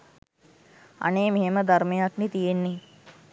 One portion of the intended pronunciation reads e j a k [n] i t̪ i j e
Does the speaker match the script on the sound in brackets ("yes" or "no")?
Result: yes